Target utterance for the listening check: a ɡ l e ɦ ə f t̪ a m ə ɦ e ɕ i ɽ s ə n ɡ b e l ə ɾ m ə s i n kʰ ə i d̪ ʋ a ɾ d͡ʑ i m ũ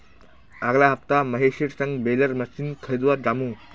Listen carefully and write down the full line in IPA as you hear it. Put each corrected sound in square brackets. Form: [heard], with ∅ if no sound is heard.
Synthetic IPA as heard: a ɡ l [a] ɦ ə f t̪ a m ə ɦ e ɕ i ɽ s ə [ŋ] ɡ b e l ə ɾ m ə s i n kʰ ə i d̪ ʋ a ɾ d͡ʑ [a] m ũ